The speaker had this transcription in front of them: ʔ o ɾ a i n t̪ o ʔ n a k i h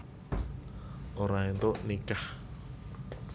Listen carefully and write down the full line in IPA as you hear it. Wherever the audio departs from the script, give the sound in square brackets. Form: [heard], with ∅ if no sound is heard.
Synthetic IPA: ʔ o ɾ a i n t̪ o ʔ n [i] k [a] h